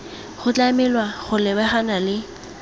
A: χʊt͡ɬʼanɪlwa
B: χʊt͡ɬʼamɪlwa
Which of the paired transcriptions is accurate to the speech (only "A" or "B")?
B